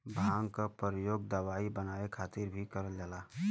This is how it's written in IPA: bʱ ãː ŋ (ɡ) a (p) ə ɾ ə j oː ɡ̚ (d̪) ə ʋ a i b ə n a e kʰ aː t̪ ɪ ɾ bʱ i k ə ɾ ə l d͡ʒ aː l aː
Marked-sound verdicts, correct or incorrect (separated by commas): incorrect, correct, correct